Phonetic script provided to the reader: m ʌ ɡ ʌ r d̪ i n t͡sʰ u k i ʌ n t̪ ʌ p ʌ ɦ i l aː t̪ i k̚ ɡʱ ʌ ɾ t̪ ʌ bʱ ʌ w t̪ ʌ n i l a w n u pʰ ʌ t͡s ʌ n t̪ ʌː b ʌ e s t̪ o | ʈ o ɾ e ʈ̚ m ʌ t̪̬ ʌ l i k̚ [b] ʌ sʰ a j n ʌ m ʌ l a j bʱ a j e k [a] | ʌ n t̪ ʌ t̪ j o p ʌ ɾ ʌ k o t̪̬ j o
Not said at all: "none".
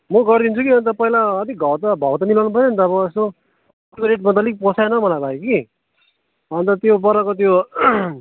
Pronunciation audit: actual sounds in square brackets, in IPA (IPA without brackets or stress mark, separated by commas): p, i